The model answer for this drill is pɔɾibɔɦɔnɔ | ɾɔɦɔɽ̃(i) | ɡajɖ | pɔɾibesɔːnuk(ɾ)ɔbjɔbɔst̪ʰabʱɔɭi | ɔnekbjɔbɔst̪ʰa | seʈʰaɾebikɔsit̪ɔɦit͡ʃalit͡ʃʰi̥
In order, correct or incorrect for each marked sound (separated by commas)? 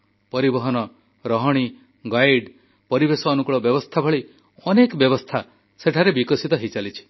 correct, incorrect